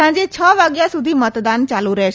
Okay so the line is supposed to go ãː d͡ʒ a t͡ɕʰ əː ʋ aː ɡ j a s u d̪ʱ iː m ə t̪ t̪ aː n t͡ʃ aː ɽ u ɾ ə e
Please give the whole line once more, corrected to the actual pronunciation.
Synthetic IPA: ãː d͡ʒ e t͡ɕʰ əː ʋ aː ɡ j a s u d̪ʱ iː m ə t̪ d̪ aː n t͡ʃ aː l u ɾ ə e

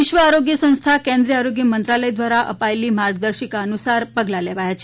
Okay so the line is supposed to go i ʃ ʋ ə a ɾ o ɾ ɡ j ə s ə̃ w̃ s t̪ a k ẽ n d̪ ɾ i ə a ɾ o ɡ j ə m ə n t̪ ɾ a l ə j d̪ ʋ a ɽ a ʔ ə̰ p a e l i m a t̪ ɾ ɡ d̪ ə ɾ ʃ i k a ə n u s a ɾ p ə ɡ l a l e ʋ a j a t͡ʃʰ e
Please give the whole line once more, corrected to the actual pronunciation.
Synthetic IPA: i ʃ ʋ ə a ɾ o ɡ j ə s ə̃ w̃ s t̪ʰ a k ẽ n d̪ ɾ i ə a ɾ o ɡ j ə m ə n t̪ ɾ a l ə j d̪ ʋ a ɾ a ʔ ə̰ p a e l i m a ɾ ɡ d̪ ə ɾ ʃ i k a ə n u s a ɾ p ə ɡ l a l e ʋ a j a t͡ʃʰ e

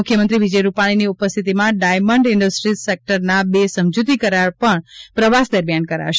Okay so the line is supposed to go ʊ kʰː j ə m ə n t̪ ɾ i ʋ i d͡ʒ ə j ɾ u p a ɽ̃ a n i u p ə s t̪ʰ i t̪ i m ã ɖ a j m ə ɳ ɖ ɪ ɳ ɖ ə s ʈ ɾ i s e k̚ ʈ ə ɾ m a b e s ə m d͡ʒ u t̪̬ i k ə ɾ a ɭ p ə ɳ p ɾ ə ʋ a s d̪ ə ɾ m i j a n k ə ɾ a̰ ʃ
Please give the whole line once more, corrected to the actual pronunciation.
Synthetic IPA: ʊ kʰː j ə m ə n t̪ ɾ i ʋ i d͡ʒ ə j ɾ u p a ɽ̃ i n i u p ə s t̪ʰ i t̪ i m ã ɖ a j m ə ɳ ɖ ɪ ɳ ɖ ə s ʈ ɾ i s e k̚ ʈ ə ɾ n a b e s ə m d͡ʒ u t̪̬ i k ə ɾ a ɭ p ə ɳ p ɾ ə ʋ a s d̪ ə ɾ m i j a n k ə ɾ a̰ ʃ

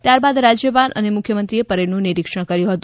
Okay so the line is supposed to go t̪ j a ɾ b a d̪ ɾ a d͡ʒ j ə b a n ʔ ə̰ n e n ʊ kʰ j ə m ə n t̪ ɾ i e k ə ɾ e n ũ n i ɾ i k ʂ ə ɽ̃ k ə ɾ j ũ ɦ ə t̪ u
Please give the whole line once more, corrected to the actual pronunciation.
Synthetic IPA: t̪ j a ɾ b a d̪ ɾ a d͡ʒ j ə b a n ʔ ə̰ n e m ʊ kʰ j ə m ə n t̪ ɾ i e p ə ɾ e n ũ n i ɾ i k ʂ ə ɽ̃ k ə ɾ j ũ ɦ ə t̪ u

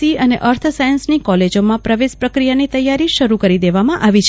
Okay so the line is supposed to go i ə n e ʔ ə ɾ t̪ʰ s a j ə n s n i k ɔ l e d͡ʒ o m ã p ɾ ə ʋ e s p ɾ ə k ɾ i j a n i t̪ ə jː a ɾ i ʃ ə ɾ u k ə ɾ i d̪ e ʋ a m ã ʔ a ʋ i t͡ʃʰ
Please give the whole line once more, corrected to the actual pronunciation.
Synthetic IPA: i ə n e ʔ ə ɾ t̪ʰ s a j ə n s n i k ɔ l e d͡ʒ o m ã p ɾ ə ʋ e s p ɾ ə k ɾ i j a n i t̪ ə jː a ɾ i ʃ ə ɾ u k ə ɾ i d̪ e ʋ a m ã ʔ a ʋ i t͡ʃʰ

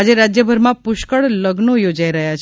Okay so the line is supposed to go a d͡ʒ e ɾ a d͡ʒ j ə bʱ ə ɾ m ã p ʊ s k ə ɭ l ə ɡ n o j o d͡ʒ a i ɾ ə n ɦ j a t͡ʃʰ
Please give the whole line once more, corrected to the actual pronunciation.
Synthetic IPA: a d͡ʒ e ɾ a d͡ʒ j ə bʱ ə ɾ m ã p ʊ ʃ k ə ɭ l ə ɡ n o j o d͡ʒ a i ɾ ə ɦ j a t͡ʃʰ

